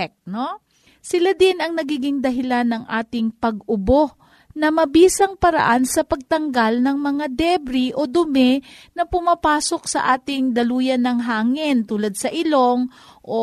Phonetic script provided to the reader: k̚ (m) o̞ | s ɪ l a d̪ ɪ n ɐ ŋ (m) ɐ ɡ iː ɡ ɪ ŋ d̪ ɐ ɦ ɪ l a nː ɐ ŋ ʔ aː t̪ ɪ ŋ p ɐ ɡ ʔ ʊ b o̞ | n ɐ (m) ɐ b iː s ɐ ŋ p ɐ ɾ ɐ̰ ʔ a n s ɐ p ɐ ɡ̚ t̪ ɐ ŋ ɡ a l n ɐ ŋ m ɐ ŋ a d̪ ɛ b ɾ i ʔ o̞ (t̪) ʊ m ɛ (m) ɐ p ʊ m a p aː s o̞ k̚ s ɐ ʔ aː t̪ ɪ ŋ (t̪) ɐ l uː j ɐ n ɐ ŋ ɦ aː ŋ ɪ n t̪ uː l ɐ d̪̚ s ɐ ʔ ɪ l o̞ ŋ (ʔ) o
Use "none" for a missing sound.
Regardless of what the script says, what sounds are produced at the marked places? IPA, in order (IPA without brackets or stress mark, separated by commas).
n, n, m, d̪, n, d̪, ʔ